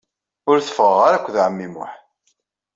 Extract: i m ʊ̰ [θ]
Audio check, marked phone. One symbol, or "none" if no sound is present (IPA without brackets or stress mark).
ħ